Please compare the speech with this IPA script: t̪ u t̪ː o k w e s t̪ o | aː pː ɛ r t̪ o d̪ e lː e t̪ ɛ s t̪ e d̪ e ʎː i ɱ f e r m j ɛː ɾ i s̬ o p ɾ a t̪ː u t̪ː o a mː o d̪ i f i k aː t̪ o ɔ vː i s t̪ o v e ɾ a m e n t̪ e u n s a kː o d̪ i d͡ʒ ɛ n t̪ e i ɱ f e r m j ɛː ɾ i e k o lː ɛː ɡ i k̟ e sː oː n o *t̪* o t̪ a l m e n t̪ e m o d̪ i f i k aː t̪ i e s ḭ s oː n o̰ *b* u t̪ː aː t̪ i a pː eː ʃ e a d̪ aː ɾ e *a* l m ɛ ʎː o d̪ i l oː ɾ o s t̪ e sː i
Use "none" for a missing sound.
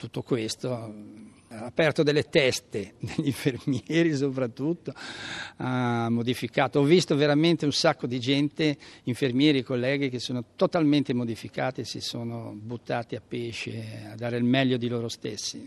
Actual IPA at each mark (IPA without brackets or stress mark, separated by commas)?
t̪, b, i